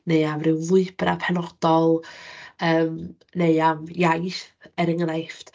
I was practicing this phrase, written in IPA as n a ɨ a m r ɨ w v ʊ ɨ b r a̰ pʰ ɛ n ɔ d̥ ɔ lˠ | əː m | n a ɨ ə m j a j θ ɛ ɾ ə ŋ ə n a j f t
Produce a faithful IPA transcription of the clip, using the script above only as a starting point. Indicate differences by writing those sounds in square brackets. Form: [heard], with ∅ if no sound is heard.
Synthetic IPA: n [e] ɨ a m r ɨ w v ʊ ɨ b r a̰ pʰ ɛ n ɔ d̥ ɔ lˠ | əː m | n [e] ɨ [a] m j a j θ ɛ ɾ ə ŋ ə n a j f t